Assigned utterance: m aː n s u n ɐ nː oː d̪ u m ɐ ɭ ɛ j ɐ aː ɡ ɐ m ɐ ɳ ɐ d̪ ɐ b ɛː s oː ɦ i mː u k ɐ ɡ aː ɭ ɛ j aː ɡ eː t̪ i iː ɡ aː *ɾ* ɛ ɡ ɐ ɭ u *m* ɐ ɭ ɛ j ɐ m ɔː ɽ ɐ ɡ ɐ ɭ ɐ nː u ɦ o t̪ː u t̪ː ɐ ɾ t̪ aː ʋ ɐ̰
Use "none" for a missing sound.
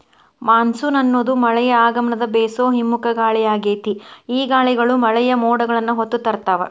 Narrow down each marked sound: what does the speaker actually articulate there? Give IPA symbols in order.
ɭ, m

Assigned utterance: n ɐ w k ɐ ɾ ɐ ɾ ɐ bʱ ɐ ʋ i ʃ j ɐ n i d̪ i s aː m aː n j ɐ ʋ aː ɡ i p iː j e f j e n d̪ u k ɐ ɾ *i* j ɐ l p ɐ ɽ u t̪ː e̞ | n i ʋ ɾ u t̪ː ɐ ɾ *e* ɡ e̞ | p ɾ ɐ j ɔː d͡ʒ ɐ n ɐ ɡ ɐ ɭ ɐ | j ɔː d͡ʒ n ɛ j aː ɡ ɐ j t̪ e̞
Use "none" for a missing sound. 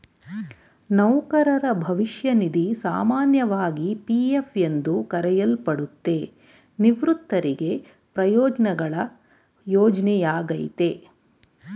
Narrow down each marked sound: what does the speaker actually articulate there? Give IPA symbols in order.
ɛ, i

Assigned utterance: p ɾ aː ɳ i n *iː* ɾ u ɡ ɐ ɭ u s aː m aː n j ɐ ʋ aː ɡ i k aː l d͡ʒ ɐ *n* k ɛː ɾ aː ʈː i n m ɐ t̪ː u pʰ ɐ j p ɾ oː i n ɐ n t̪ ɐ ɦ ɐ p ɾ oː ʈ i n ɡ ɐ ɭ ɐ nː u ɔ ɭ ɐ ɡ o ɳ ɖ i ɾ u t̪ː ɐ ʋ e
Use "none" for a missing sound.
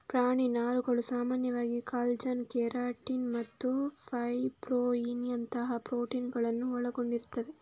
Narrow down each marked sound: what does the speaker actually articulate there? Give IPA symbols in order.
aː, n

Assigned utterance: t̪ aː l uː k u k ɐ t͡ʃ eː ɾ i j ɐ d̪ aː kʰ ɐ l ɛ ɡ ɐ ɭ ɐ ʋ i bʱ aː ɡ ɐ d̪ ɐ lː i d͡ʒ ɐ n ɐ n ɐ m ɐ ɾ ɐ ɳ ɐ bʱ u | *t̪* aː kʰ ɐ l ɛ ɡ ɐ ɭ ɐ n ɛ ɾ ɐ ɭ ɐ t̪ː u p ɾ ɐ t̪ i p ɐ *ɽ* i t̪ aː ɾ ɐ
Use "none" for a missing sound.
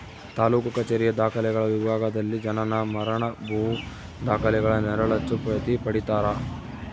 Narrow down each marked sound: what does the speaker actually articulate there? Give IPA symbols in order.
d̪, ɽ

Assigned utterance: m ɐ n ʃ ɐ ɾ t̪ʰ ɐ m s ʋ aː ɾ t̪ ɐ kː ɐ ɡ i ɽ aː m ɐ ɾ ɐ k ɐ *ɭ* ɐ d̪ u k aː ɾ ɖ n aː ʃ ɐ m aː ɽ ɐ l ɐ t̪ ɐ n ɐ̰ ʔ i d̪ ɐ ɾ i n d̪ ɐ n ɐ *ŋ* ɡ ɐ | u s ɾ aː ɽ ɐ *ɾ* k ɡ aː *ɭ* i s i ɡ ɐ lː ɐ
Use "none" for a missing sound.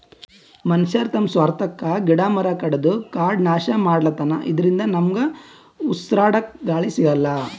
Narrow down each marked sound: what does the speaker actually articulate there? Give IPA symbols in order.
ɽ, m, none, ɭ

